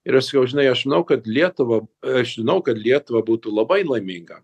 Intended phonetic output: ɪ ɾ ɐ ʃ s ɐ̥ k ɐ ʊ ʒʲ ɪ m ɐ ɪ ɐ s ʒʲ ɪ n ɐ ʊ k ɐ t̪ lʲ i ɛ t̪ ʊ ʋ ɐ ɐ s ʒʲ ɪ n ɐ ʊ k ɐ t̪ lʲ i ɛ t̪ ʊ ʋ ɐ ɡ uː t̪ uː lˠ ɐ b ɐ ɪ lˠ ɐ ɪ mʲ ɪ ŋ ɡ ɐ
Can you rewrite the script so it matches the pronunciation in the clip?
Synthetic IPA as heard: ɪ ɾ ɐ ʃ s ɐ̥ k ɐ ʊ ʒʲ ɪ n ɐ ɪ ɐ ʃ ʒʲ ɪ n ɐ ʊ k ɐ t̪ lʲ i ɛ t̪ ʊ ʋ ɐ ɐ ʃ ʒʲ ɪ n ɐ ʊ k ɐ t̪ lʲ i ɛ t̪ ʊ ʋ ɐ b uː t̪ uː lˠ ɐ b ɐ ɪ lˠ ɐ ɪ mʲ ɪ ŋ ɡ ɐ